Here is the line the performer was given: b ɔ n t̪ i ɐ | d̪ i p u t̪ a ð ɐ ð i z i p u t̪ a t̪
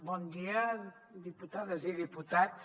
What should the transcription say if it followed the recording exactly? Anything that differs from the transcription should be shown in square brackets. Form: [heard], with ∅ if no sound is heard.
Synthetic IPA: b ɔ n [d̪] i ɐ | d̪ i p u t̪ a ð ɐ [z] i [ð] i p u t̪ a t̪